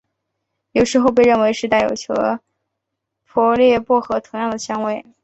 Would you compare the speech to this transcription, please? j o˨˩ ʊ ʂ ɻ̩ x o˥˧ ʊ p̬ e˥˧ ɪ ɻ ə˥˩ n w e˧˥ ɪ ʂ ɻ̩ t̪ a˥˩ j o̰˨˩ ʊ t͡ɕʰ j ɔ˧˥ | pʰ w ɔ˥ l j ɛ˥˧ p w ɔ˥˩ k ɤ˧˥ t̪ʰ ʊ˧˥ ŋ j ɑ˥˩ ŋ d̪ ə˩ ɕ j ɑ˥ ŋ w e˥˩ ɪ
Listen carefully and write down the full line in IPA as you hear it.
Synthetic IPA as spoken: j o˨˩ ʊ ʂ ɻ̩ x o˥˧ ʊ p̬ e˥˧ ɪ ɻ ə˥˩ n w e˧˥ ɪ ʂ ɻ̩ t̪ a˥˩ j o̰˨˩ ʊ t͡ɕʰ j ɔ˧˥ | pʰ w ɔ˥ l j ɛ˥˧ p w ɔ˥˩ x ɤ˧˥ t̪ʰ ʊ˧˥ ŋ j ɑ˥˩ ŋ d̪ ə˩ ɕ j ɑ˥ ŋ w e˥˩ ɪ